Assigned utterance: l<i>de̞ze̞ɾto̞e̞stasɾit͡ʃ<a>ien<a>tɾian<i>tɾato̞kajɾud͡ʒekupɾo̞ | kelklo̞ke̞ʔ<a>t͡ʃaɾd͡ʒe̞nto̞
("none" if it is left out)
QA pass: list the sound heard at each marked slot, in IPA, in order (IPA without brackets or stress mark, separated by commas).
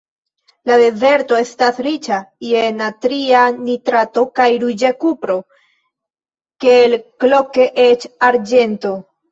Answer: a, a, a, i, e